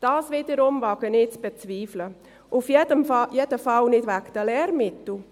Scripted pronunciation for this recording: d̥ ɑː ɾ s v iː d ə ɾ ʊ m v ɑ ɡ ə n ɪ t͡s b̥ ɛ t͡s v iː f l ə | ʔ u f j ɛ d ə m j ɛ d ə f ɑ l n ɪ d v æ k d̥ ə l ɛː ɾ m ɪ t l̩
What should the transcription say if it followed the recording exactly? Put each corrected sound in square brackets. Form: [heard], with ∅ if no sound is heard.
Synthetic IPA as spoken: d̥ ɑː [∅] s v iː d ə ɾ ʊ m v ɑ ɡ ə n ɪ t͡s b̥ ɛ t͡s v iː f l ə | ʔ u f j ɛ d ə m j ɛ d ə f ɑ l n ɪ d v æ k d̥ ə l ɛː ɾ m ɪ t l̩